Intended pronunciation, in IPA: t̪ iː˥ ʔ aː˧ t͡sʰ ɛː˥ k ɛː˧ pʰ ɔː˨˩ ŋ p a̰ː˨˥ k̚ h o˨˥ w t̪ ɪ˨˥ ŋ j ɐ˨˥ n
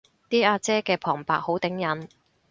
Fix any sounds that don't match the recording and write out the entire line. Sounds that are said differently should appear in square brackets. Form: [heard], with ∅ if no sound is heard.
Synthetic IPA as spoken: t̪ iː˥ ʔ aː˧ [t͡s] ɛː˥ k ɛː˧ pʰ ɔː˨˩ ŋ p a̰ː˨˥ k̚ h o˨˥ w t̪ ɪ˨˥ ŋ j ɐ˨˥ n